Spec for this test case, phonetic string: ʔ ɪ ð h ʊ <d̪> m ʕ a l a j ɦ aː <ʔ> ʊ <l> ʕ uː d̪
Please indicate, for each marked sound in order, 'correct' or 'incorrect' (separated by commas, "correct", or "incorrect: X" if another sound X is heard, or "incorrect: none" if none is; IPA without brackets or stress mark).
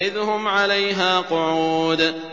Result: incorrect: none, incorrect: q, incorrect: none